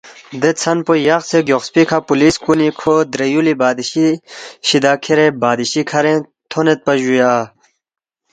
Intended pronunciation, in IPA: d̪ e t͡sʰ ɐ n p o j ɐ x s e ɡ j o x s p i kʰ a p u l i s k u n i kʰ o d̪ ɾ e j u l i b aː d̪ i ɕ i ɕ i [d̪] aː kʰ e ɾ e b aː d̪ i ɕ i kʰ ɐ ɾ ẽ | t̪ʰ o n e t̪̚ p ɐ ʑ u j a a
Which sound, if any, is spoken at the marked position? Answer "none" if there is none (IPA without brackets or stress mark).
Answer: d̪